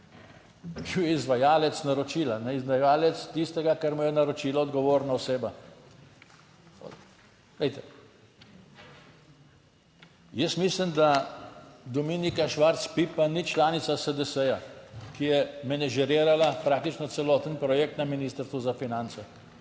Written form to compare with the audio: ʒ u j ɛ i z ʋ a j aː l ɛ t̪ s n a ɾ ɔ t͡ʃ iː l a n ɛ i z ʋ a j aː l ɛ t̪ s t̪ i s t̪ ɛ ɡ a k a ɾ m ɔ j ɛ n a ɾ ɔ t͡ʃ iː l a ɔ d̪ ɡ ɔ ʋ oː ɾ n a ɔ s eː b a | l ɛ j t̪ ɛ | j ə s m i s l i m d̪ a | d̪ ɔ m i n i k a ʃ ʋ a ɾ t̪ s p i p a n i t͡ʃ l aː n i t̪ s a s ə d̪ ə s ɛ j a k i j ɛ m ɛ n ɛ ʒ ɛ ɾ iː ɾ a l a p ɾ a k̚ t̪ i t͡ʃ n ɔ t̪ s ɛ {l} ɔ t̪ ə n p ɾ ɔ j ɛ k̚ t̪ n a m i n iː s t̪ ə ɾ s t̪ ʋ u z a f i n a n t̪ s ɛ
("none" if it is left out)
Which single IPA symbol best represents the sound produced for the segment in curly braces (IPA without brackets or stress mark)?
l